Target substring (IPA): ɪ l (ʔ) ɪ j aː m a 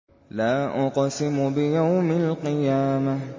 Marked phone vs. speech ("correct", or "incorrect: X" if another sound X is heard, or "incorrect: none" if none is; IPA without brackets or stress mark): incorrect: q